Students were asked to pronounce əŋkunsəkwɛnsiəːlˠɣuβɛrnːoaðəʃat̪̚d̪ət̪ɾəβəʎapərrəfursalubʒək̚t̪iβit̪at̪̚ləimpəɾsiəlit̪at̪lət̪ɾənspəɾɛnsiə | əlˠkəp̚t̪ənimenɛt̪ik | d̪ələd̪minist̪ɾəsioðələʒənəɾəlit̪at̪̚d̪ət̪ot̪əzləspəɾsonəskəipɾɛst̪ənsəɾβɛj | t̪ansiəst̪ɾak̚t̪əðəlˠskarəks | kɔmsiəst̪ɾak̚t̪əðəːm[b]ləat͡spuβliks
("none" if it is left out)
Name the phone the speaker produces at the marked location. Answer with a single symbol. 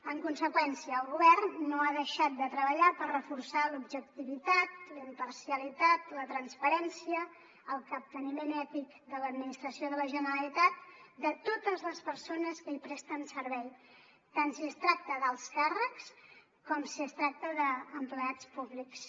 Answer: p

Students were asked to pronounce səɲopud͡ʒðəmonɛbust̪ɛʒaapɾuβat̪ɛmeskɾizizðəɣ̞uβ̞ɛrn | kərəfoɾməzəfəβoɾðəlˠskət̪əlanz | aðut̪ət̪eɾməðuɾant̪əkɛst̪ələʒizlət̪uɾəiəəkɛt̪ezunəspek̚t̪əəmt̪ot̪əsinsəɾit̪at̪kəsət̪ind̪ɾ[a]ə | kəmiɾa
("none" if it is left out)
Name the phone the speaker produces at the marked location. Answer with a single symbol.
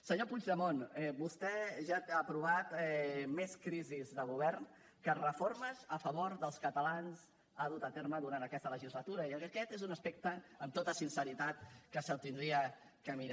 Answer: i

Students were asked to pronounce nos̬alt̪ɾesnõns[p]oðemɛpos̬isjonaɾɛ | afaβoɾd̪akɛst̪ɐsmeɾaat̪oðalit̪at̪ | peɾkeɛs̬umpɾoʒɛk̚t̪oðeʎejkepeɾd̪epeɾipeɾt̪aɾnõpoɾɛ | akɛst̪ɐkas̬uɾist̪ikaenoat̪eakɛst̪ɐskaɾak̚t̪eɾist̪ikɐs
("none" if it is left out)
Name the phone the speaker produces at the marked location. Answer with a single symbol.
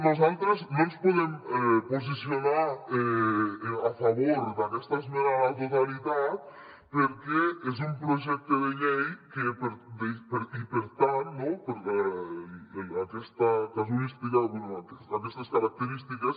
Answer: p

